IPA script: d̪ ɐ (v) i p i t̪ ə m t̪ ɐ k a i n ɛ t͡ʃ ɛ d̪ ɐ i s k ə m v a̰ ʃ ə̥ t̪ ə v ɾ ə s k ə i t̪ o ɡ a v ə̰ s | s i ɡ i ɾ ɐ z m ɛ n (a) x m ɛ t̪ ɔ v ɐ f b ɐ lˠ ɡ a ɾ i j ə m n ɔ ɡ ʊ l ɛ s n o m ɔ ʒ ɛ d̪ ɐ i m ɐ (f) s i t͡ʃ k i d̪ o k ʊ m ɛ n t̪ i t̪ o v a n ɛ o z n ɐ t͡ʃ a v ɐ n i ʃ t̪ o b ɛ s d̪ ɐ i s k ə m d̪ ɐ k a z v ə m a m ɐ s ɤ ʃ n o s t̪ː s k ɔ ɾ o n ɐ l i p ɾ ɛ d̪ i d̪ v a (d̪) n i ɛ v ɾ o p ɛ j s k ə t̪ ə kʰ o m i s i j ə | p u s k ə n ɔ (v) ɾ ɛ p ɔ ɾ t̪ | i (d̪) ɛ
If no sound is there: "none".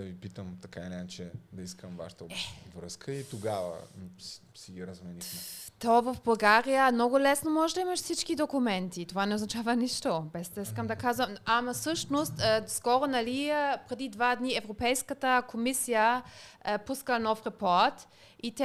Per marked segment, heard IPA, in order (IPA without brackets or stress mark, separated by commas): v, i, ʃ, d̪, f, t̪